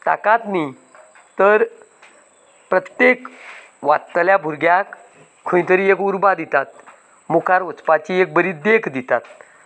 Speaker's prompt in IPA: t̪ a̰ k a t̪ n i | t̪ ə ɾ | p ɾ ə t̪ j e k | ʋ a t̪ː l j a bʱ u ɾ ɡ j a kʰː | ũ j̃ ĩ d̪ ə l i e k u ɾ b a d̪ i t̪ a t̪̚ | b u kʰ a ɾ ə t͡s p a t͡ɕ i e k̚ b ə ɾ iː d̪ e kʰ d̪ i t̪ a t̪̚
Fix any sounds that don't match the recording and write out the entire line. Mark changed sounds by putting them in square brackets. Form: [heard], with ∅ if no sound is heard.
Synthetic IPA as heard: t̪ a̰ k a t̪ n i | t̪ ə ɾ | p ɾ ə t̪ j e k | ʋ a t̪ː l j a bʱ u ɾ ɡ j a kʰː | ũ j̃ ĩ [t̪] ə [ɾ] i e k u ɾ b a d̪ i t̪ a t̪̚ | [m] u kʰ a ɾ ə t͡s p a t͡ɕ i e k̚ b ə ɾ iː d̪ e kʰ d̪ i t̪ a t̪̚